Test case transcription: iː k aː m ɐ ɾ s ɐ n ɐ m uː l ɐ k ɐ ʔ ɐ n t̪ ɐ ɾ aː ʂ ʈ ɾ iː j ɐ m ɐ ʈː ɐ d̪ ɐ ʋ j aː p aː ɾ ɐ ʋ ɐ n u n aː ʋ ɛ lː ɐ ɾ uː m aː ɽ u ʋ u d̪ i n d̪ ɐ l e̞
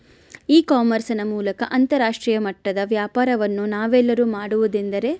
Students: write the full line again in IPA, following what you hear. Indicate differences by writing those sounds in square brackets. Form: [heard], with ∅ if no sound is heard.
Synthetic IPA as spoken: iː k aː m ɐ ɾ s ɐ n ɐ m uː l ɐ k ɐ ʔ ɐ n t̪ ɐ ɾ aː ʂ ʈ ɾ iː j ɐ m ɐ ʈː ɐ d̪ ɐ ʋ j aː p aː ɾ ɐ ʋ ɐ [nː] u n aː ʋ ɛ lː ɐ ɾ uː m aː ɽ u ʋ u d̪ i n d̪ ɐ [ɾ] e̞

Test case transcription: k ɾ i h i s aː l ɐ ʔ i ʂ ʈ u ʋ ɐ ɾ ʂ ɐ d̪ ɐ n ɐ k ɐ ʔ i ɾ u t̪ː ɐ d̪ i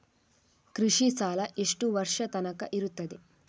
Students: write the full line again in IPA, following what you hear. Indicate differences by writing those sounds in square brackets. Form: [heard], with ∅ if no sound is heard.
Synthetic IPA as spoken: k ɾ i [ʂ] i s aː l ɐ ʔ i ʂ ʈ u ʋ ɐ ɾ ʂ ɐ [t̪] ɐ n ɐ k ɐ ʔ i ɾ u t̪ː ɐ d̪ i

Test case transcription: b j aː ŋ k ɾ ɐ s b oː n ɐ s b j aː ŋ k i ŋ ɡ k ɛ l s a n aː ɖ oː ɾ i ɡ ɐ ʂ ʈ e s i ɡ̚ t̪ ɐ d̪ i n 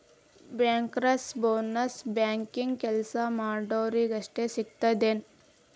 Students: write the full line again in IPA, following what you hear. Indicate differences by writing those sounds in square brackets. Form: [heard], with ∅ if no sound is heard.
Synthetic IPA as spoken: b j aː ŋ k ɾ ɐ s b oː n ɐ s b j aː ŋ k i ŋ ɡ k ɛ l s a [m] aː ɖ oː ɾ i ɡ ɐ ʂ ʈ e s i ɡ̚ t̪ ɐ d̪ [e] n

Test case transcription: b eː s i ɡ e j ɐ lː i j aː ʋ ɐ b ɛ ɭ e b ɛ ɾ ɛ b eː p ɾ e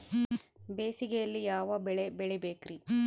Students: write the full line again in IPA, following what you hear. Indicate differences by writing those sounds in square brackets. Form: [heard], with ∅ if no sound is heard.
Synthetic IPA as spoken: b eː s i ɡ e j ɐ lː i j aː ʋ ɐ b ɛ ɭ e b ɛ [ɭ] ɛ b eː [k] ɾ [i]

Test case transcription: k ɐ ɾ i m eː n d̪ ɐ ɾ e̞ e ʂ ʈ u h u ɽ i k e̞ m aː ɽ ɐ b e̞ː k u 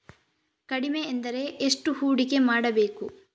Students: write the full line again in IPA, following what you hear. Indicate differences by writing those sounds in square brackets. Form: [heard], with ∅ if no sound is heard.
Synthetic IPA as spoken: k ɐ [ɽ] i m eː n d̪ ɐ ɾ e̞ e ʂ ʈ u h [uː] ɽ i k e̞ m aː ɽ ɐ b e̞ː k u

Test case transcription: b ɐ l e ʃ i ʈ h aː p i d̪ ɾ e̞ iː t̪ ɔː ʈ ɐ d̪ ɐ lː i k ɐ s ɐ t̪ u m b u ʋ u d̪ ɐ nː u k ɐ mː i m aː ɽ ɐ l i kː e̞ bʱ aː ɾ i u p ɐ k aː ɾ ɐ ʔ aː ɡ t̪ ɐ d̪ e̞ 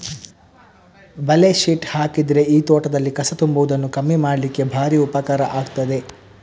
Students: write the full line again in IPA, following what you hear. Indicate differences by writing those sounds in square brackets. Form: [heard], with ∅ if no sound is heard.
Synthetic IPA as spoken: b ɐ l e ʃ i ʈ h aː [k] i d̪ ɾ e̞ iː t̪ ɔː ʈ ɐ d̪ ɐ lː i k ɐ s ɐ t̪ u m b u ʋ u d̪ ɐ nː u k ɐ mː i m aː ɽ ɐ l i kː e̞ bʱ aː ɾ i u p ɐ k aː ɾ ɐ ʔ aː ɡ t̪ ɐ d̪ e̞

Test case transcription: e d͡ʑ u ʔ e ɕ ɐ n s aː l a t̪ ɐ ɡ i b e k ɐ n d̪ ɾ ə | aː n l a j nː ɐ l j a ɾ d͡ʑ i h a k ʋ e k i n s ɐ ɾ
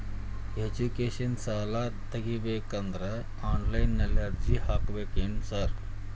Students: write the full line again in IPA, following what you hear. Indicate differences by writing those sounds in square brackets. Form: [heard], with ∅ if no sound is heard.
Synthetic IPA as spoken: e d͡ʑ u [k] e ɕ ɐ n s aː l a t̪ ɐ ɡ i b e k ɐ n d̪ ɾ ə | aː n l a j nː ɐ l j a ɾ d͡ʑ i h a k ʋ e k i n s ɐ ɾ

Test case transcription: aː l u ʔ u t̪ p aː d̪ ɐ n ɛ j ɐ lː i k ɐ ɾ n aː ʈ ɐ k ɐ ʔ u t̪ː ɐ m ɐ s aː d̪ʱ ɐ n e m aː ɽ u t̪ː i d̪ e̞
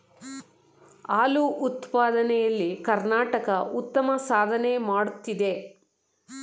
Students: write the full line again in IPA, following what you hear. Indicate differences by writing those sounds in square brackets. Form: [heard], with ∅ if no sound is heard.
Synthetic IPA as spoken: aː l u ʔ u t̪ p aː d̪ ɐ n ɛ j ɐ lː i k ɐ ɾ n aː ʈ ɐ k ɐ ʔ u t̪ː ɐ m ɐ s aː d̪ʱ ɐ n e m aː ɽ u t̪ː i d̪ e̞

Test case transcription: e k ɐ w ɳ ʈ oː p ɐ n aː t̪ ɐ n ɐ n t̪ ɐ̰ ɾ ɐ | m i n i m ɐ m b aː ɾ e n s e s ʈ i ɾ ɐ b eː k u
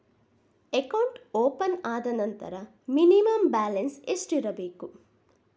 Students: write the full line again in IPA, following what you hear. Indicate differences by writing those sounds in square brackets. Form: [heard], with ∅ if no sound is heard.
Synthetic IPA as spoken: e k ɐ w ɳ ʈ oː p ɐ n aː [d̪] ɐ n ɐ n t̪ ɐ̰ ɾ ɐ | m i n i m ɐ m b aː [l] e n s e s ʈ i ɾ ɐ b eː k u

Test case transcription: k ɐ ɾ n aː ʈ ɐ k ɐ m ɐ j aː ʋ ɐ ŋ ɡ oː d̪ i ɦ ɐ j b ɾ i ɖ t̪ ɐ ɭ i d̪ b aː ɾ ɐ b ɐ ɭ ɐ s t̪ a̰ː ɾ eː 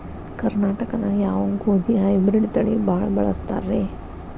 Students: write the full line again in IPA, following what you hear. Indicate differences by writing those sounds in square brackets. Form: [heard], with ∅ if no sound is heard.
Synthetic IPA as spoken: k ɐ ɾ n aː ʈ ɐ k ɐ [n] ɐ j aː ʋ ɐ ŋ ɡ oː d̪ i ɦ ɐ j b ɾ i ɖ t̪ ɐ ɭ i [∅] b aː [ɭ] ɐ b ɐ ɭ ɐ s t̪ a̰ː ɾ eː

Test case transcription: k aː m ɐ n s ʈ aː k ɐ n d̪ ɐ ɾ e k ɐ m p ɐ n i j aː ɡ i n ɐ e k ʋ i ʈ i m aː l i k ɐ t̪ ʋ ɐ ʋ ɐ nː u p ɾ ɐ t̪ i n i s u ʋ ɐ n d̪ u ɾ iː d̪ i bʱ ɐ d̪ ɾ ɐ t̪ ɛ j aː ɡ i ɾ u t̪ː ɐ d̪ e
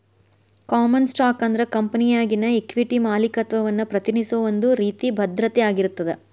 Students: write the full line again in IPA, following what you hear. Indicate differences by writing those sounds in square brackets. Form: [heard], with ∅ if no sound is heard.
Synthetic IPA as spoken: k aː m ɐ n s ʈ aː k ɐ n d̪ ɐ ɾ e k ɐ m p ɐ n i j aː ɡ i n ɐ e k ʋ i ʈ i m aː l i k ɐ t̪ ʋ ɐ ʋ ɐ nː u p ɾ ɐ t̪ i n i s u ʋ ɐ n d̪ u ɾ iː [t̪] i bʱ ɐ d̪ ɾ ɐ t̪ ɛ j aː ɡ i ɾ u t̪ː ɐ d̪ e

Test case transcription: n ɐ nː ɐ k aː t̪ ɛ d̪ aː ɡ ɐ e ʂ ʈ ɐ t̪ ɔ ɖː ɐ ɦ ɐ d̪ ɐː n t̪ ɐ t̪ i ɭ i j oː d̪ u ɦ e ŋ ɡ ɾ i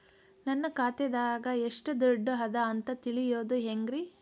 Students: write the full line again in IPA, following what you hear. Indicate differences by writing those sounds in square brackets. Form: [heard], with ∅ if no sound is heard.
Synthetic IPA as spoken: n ɐ nː ɐ k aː t̪ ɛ d̪ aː ɡ ɐ e ʂ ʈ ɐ [d̪] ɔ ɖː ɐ ɦ ɐ d̪ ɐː n t̪ ɐ t̪ i ɭ i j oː d̪ u ɦ e ŋ ɡ ɾ i

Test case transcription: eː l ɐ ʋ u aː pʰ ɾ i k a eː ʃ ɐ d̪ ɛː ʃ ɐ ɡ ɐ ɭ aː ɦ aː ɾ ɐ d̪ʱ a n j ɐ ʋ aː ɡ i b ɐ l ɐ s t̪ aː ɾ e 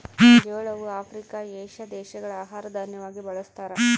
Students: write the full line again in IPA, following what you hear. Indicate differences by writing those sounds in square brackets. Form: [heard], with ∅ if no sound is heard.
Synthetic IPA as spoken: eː [ɭ] ɐ ʋ u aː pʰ ɾ i k a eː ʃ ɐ d̪ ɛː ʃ ɐ ɡ ɐ ɭ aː ɦ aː ɾ ɐ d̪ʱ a n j ɐ ʋ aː ɡ i b ɐ [ɭ] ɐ s t̪ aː ɾ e

